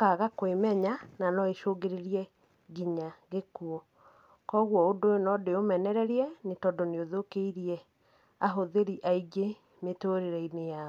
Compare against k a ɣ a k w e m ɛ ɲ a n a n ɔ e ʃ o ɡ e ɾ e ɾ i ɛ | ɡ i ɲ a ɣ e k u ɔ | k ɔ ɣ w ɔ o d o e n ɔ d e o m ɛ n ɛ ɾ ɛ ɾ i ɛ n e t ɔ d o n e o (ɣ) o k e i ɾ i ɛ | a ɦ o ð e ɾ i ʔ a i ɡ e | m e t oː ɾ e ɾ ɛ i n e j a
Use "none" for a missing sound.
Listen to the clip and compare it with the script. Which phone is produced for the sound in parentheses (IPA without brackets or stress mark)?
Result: ð